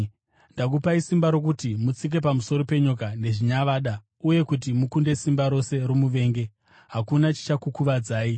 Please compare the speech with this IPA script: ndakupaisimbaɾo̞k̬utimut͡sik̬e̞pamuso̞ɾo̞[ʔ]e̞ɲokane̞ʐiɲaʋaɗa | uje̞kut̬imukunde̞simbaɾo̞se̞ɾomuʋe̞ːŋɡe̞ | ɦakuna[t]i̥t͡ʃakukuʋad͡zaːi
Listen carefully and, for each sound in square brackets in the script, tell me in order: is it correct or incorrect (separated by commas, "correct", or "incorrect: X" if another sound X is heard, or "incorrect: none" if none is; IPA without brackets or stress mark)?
incorrect: p, incorrect: t͡ʃ